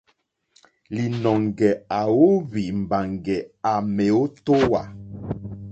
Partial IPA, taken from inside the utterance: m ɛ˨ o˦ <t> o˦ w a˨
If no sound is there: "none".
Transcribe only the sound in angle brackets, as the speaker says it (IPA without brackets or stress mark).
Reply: t